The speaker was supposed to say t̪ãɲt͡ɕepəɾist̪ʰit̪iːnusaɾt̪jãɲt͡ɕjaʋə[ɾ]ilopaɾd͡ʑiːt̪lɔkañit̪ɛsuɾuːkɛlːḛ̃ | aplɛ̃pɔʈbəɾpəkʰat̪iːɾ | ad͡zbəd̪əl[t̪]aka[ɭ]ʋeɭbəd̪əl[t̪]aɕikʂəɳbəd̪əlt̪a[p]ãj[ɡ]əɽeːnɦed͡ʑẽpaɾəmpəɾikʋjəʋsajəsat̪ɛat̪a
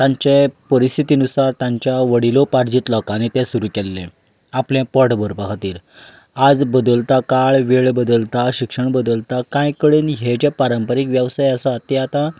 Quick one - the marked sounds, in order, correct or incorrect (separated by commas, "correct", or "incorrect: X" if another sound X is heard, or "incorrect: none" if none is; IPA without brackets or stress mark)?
incorrect: ɽ, correct, correct, correct, incorrect: k, incorrect: k